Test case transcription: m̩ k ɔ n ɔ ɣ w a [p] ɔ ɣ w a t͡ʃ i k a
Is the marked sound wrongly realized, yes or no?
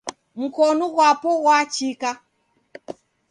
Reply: no